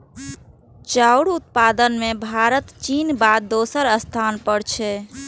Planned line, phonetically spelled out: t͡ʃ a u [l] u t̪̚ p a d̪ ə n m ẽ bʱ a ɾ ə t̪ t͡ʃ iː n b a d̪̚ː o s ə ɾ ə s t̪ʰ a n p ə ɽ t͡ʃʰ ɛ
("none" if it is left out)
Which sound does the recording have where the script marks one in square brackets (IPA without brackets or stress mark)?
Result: ɽ